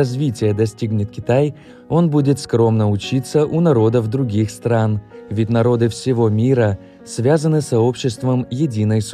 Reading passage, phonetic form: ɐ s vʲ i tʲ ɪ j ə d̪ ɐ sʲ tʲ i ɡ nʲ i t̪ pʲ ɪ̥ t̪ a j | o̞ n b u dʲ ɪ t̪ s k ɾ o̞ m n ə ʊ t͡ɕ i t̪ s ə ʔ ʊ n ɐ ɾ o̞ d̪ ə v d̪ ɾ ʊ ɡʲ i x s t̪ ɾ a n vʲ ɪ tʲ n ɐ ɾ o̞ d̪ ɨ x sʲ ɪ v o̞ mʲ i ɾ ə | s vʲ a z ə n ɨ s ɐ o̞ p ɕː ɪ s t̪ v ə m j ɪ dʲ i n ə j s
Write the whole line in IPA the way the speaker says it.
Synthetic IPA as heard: ɐ z vʲ i tʲ ɪ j ə d̪ ɐ sʲ tʲ i ɡ nʲ ɪ t̪ kʲ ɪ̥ t̪ a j | o̞ n b u dʲ ɪ t̪ s k ɾ o̞ m n ə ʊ t͡ɕ i t̪ s ə ʔ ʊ n ɐ ɾ o̞ d̪ ə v d̪ ɾ ʊ ɡʲ i x s t̪ ɾ a n vʲ ɪ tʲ n ɐ ɾ o̞ d̪ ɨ f sʲ ɪ v o̞ mʲ i ɾ ə | s vʲ a z ə n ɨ s ɐ o̞ p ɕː ɪ s t̪ v ə m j ɪ dʲ i n ə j s